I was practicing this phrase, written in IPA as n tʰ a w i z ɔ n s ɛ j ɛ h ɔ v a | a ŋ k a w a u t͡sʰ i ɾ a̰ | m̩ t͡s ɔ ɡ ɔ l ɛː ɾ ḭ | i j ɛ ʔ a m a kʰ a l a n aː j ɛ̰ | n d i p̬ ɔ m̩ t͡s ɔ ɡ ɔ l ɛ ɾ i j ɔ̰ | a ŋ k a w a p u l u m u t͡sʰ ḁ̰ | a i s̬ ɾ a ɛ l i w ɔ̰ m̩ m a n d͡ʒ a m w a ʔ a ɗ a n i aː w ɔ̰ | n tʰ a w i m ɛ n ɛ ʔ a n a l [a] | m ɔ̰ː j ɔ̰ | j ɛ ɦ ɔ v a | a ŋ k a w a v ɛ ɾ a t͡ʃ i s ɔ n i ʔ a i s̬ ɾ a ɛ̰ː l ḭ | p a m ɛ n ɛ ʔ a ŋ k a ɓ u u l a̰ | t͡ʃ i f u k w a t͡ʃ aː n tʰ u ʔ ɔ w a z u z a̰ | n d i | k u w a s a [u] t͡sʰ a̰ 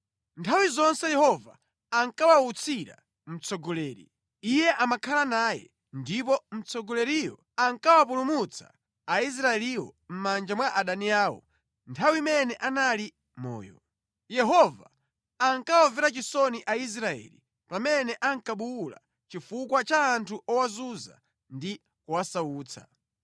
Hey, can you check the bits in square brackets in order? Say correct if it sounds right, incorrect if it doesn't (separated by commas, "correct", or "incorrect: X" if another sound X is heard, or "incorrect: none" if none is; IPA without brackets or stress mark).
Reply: incorrect: i, incorrect: uː